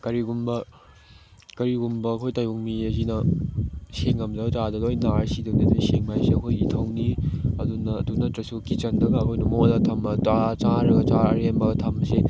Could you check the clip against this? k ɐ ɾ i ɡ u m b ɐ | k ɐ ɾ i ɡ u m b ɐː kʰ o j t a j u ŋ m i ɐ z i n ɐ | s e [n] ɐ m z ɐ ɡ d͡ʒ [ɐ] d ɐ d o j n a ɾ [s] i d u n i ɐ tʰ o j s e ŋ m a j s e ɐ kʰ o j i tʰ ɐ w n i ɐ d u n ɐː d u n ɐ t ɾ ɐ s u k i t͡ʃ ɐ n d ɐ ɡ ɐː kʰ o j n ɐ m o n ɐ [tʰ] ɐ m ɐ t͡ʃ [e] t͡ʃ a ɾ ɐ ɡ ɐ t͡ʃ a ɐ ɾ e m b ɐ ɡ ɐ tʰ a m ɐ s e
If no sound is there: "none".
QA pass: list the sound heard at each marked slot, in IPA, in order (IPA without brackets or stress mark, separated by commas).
ŋ, a, s, tʰ, a